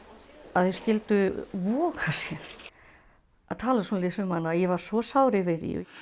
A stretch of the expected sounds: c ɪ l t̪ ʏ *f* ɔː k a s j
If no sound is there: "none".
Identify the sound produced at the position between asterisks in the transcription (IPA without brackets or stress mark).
v